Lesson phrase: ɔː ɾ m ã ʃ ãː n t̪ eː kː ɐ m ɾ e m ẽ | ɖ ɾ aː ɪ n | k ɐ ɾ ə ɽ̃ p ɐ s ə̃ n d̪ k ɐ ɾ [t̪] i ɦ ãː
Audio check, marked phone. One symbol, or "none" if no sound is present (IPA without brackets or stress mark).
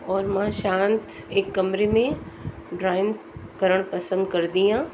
d̪